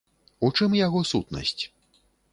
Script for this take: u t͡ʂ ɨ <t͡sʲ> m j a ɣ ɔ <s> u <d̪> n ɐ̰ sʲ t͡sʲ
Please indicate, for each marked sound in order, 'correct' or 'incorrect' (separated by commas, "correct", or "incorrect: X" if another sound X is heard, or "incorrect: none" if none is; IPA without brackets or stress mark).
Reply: incorrect: none, correct, incorrect: t̪